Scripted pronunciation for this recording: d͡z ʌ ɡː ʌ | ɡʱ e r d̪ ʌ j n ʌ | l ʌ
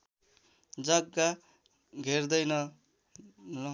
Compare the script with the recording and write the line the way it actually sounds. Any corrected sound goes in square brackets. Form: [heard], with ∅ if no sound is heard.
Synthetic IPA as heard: d͡z ʌ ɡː [a] | ɡʱ e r d̪ ʌ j n ʌ | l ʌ